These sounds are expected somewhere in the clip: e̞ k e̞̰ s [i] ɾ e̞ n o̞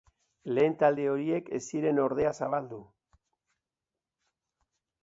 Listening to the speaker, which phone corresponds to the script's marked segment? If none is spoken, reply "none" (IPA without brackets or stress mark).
i